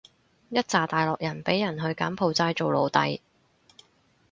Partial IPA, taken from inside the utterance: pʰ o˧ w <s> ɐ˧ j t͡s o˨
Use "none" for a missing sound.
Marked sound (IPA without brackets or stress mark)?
t͡s